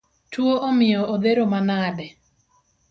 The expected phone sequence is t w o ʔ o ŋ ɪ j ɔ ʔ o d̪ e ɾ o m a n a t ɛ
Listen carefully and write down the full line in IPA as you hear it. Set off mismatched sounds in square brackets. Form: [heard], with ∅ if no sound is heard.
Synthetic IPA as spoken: t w o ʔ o [m] ɪ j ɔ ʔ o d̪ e ɾ o m a n a [d] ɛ